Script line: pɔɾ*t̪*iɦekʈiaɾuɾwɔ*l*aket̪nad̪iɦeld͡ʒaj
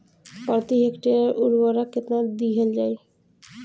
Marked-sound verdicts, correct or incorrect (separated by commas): correct, incorrect